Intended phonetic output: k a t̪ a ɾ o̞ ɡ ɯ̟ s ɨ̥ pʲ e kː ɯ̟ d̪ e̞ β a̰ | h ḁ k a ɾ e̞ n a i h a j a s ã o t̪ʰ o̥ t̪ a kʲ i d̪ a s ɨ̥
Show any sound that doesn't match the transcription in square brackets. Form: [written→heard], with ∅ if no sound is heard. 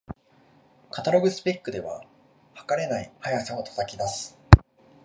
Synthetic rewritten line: k a t̪ a ɾ o̞ ɡ ɯ̟ s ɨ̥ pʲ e kː ɯ̟ d̪ e̞ β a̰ | h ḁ k a ɾ e̞ n a i h a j a s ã o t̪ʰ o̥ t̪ a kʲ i d̪ a s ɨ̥